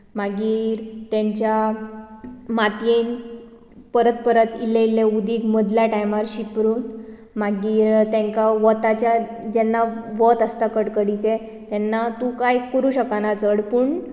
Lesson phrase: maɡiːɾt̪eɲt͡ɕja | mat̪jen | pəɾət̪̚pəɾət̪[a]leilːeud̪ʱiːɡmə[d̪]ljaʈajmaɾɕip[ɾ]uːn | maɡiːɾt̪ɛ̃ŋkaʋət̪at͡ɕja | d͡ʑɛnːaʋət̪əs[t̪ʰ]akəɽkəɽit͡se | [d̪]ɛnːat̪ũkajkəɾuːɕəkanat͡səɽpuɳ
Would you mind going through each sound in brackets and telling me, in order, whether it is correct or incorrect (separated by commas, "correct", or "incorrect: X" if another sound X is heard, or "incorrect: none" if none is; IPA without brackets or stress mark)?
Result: incorrect: i, correct, correct, incorrect: t̪, incorrect: t̪